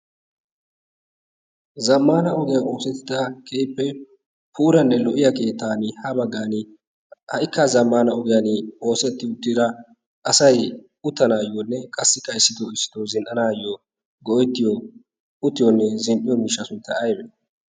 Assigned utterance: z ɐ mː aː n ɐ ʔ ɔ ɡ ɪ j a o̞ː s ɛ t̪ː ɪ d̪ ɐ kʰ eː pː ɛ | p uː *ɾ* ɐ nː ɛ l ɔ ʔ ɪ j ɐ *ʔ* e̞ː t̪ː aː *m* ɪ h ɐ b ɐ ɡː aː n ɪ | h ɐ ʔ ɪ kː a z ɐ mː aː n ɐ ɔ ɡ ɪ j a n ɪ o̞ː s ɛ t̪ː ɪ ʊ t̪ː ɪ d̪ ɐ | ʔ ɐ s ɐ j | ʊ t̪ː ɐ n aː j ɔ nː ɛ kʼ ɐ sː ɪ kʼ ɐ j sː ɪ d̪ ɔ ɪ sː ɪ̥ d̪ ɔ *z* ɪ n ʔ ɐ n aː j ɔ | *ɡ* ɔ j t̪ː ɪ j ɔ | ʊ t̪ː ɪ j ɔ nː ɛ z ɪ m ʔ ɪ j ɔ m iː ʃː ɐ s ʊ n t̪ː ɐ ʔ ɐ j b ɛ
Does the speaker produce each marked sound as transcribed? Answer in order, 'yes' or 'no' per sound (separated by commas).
yes, no, no, yes, yes